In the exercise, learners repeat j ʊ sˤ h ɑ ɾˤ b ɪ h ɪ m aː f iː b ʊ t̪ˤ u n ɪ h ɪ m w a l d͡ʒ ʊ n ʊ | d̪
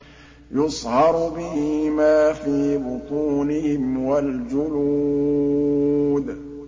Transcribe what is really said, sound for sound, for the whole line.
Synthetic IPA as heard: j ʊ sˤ h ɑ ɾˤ b ɪ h ɪ m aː f iː b ʊ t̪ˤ uː n ɪ h ɪ m w a l d͡ʒ ʊ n u | d̪